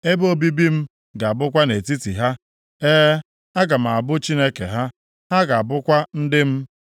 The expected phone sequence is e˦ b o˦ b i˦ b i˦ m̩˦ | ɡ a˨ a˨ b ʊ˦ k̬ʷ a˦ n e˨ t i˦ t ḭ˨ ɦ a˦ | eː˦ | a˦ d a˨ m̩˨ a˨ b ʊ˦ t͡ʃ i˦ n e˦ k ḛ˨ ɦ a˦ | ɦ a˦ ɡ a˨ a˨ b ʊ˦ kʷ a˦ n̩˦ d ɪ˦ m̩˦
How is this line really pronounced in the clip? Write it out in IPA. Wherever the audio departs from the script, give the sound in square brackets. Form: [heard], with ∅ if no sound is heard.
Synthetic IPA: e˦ b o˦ b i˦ b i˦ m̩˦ | ɡ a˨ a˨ b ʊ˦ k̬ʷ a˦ n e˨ t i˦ t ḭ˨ ɦ a˦ | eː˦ | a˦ [ɡ] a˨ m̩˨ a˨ b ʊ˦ t͡ʃ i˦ n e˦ k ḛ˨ ɦ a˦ | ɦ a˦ ɡ a˨ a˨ b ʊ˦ kʷ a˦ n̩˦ d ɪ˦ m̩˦